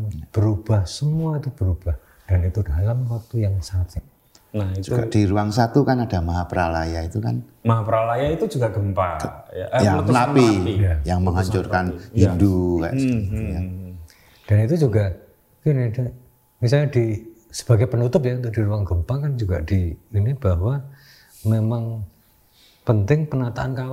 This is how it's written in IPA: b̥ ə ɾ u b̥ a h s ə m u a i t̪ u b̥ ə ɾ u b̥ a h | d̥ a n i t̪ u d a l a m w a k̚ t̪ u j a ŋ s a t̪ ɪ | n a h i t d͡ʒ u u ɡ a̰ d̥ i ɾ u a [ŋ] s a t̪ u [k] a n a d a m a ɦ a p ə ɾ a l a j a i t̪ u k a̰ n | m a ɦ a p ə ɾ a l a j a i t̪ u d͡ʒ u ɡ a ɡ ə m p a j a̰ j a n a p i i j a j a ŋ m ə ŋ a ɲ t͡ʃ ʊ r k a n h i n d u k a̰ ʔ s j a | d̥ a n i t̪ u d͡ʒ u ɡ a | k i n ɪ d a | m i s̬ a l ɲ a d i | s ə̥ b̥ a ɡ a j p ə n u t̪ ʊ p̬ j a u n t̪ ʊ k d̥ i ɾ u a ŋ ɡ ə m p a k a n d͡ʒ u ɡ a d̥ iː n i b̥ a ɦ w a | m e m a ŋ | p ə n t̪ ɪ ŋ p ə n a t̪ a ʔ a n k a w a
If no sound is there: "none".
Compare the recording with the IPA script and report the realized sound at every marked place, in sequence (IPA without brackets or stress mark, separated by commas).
ŋ, k